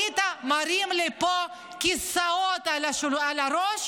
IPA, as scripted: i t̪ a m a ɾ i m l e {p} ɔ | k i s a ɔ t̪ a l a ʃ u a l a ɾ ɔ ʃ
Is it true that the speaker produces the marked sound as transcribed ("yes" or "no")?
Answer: yes